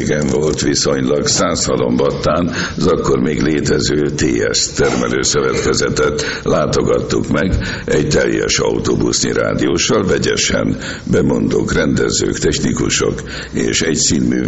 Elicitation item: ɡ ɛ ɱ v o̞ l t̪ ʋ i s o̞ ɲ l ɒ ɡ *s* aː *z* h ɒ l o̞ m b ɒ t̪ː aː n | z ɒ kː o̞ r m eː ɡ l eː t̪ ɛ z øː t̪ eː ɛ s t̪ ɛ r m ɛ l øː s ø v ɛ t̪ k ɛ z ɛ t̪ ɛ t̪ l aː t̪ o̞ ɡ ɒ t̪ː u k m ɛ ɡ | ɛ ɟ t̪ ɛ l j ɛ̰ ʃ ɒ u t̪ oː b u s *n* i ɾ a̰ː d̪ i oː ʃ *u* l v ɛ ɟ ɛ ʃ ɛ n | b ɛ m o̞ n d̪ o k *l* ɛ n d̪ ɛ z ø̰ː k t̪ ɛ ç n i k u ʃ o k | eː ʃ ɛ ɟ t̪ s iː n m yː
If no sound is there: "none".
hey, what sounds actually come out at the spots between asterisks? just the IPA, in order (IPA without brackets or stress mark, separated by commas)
s, s, n, ɒ, r